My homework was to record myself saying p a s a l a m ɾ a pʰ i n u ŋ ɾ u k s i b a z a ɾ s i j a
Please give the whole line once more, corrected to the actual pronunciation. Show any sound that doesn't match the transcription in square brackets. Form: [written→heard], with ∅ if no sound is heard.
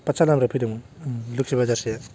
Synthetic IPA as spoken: p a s a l a m ɾ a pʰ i [n→d] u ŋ [ɾ→l] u k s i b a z a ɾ s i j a

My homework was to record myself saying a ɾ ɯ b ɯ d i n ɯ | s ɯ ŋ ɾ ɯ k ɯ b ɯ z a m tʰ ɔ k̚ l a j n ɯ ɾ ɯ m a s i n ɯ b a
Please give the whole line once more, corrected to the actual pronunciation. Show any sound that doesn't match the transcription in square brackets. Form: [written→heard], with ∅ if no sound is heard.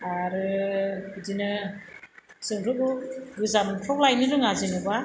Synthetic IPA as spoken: a ɾ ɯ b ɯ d i n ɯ | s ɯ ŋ ɾ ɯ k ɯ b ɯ z a m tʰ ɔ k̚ l a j n ɯ ɾ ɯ [m→ŋ] a [s→z] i n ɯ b a

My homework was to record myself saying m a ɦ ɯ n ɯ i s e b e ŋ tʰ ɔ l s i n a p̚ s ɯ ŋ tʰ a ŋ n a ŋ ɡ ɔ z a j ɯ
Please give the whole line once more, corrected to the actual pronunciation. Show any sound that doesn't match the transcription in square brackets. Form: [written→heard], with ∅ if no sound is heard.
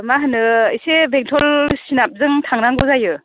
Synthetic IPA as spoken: m a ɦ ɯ n ɯ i s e b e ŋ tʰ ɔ l s i n a p̚ [s→z] ɯ ŋ tʰ a ŋ n a ŋ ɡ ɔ z a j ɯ

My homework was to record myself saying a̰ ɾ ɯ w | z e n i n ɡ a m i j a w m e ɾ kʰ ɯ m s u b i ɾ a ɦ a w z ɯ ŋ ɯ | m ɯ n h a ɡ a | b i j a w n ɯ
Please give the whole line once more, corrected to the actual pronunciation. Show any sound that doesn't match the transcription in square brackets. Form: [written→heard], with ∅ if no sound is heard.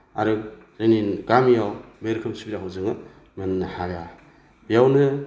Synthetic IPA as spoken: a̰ ɾ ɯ [w→∅] | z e n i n ɡ a m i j a w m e ɾ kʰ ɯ m s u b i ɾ a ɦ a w z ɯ ŋ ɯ | m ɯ n h a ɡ a | b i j a w n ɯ

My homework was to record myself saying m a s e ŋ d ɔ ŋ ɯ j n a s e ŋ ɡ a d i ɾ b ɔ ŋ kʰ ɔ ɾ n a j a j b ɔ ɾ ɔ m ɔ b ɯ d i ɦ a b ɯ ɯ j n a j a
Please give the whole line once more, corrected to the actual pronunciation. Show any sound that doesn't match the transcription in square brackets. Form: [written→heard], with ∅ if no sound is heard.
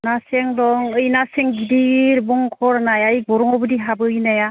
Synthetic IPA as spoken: [m→n] a s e ŋ d ɔ ŋ ɯ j n a s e ŋ ɡ [a→i] d i ɾ b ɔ ŋ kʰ ɔ ɾ n a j a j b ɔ ɾ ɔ [m→ŋ] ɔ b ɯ d i ɦ a b ɯ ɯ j n a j a

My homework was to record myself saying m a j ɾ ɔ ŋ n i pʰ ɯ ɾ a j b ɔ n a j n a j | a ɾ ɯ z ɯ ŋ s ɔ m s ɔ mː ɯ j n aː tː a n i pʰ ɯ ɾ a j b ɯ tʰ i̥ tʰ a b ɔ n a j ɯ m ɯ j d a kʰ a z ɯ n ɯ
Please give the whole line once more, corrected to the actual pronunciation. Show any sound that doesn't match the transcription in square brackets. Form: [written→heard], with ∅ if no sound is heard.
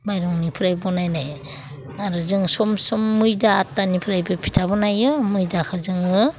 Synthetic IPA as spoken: m a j ɾ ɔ ŋ n i pʰ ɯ ɾ a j b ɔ n a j n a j | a ɾ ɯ z ɯ ŋ s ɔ m s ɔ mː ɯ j [n→d] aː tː a n i pʰ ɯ ɾ a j b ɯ [tʰ→pʰ] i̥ tʰ a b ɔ n a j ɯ m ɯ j d a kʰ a z ɯ [n→ŋ] ɯ

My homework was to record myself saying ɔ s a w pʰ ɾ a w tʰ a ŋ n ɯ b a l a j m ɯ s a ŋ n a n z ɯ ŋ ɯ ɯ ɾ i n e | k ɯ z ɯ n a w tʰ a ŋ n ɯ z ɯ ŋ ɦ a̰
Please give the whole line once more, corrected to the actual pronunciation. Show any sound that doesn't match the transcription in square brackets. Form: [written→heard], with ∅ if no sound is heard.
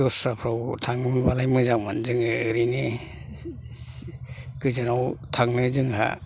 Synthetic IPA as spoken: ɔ s a [w→∅] pʰ ɾ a w tʰ a ŋ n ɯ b a l a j m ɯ [s→z] a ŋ [n→m] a n z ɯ ŋ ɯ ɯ ɾ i n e | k ɯ z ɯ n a w tʰ a ŋ n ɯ z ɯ ŋ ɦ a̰

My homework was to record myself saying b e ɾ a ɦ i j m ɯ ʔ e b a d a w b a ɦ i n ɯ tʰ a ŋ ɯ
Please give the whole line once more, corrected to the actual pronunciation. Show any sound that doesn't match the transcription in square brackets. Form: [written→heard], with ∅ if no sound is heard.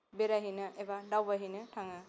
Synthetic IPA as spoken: b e ɾ a ɦ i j [m→n] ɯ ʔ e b a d a w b a ɦ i n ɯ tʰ a ŋ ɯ

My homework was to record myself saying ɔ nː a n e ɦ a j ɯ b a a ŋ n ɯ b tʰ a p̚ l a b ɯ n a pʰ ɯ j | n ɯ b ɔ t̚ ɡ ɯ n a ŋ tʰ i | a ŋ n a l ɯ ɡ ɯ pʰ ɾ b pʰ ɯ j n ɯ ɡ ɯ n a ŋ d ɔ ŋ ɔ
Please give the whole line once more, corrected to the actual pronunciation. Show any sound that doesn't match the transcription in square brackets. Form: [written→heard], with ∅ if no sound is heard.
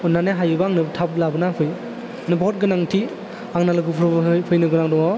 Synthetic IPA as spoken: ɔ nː a n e ɦ a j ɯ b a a ŋ n ɯ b tʰ a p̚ l a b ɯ n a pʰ ɯ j | n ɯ b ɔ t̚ ɡ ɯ n a ŋ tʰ i | a ŋ n a l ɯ ɡ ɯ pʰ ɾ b pʰ ɯ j n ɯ ɡ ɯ n a ŋ d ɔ ŋ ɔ

